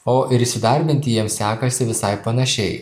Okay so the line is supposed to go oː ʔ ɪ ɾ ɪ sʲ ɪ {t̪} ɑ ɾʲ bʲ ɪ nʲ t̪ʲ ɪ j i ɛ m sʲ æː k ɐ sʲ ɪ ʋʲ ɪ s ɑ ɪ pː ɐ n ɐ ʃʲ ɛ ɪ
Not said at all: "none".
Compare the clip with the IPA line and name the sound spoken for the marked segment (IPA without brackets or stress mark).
d̪